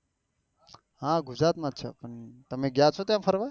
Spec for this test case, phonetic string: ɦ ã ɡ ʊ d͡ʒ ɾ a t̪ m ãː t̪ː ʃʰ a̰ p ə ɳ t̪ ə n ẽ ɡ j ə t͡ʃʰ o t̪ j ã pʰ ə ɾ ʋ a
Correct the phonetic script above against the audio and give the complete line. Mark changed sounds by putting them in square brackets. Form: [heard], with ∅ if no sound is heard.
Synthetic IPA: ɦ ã ɡ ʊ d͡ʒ ɾ a t̪ m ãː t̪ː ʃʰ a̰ p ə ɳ t̪ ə [m] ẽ ɡ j [a] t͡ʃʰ o t̪ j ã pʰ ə ɾ ʋ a